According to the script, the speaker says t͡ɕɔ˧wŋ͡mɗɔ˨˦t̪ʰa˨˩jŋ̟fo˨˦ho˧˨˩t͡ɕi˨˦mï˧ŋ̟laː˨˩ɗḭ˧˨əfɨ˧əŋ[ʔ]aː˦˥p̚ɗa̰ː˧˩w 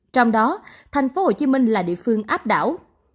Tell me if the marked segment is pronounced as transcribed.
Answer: yes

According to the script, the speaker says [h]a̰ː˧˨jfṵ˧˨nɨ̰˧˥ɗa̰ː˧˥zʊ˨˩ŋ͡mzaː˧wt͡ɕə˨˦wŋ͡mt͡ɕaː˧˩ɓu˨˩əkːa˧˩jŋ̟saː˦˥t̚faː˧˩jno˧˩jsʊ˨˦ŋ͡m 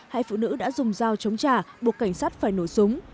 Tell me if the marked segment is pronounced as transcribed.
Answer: yes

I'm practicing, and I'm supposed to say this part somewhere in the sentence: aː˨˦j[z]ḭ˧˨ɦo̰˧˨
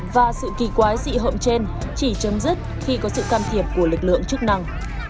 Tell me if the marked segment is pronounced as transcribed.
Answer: yes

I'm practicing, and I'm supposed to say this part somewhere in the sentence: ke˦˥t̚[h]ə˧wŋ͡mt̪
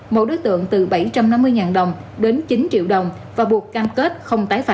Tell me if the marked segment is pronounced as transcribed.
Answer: no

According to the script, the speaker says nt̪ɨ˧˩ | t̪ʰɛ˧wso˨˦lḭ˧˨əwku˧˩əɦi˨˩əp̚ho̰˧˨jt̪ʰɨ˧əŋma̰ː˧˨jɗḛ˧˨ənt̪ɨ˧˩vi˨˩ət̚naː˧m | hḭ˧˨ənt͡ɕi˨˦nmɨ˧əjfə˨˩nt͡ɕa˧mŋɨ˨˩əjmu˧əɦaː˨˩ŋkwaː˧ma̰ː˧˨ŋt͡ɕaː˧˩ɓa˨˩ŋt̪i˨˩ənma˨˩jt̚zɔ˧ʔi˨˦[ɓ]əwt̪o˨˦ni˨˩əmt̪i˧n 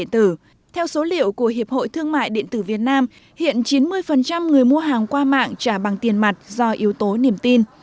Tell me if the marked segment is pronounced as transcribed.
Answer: no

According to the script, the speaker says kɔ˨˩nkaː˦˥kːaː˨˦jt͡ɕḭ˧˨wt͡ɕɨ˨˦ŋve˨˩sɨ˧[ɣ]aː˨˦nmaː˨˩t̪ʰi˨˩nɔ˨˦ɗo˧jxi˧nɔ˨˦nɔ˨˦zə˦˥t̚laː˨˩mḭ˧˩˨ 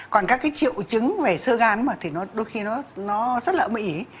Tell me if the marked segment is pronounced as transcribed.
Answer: yes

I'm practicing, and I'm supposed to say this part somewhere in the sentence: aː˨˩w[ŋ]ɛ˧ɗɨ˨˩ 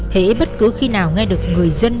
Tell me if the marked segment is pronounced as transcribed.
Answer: yes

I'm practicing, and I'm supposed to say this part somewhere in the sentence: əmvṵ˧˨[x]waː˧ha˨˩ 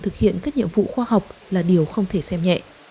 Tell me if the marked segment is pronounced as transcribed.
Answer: yes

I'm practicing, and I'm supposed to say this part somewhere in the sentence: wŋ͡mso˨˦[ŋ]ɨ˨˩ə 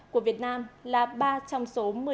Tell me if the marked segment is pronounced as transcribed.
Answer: no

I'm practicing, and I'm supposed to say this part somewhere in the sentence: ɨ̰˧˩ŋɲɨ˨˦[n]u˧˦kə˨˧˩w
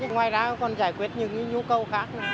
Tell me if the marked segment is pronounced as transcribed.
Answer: no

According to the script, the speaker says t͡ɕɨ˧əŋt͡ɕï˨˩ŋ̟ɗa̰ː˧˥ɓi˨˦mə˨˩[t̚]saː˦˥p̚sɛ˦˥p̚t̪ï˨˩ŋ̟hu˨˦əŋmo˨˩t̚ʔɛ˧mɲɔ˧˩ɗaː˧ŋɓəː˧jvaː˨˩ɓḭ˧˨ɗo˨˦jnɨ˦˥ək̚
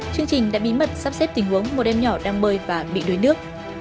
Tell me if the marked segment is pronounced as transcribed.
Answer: yes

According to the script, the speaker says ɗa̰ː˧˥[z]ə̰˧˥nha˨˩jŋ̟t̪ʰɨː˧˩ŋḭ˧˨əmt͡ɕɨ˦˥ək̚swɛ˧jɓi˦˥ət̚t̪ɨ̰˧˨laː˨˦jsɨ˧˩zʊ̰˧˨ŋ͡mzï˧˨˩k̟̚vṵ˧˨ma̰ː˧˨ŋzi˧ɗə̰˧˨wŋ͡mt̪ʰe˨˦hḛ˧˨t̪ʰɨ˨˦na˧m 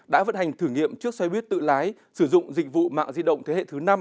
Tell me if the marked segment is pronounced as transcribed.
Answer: no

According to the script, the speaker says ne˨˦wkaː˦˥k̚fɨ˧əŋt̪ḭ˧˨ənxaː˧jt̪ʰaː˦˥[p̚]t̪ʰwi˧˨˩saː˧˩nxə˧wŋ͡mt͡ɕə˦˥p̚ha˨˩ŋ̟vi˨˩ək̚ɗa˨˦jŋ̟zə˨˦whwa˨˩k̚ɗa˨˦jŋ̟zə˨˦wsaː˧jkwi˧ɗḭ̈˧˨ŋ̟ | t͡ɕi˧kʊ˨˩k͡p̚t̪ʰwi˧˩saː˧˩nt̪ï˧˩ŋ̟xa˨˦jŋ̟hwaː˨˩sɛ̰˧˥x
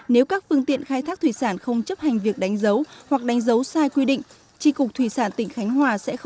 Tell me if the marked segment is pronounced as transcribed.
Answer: no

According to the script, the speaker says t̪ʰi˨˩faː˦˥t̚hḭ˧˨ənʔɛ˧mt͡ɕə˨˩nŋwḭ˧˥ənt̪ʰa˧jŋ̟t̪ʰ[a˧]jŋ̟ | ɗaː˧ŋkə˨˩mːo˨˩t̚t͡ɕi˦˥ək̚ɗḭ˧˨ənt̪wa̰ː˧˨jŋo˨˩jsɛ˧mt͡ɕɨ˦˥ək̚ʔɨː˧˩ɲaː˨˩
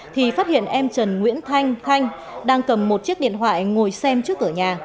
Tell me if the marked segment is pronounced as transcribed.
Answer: yes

